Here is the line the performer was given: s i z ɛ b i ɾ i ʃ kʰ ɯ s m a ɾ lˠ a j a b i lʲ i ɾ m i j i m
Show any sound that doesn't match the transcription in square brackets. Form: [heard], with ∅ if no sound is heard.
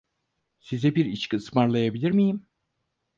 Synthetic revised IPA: s i z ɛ b i ɾ i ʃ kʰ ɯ s m a ɾ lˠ a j a b i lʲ i ɾ m i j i m